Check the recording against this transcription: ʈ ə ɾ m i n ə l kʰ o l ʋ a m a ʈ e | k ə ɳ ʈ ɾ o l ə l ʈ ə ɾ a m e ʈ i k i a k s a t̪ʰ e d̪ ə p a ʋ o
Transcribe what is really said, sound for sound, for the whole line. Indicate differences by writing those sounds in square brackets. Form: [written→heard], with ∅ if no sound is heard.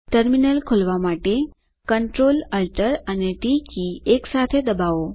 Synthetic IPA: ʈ ə ɾ m i n ə l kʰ o l ʋ a m a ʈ e | k ə ɳ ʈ ɾ o l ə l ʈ ə ɾ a [m→n] e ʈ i k i [a→e] k s a t̪ʰ e d̪ ə [p→b] a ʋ o